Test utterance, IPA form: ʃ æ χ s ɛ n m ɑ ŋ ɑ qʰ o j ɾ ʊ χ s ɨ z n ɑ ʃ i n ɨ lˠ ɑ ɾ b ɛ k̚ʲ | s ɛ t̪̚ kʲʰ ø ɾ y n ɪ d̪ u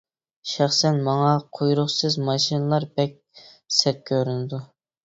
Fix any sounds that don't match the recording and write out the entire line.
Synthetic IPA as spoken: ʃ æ χ s ɛ n m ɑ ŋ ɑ qʰ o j ɾ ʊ χ s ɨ z m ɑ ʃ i n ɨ lˠ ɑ ɾ b ɛ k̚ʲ | s ɛ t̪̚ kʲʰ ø ɾ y n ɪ d̪ u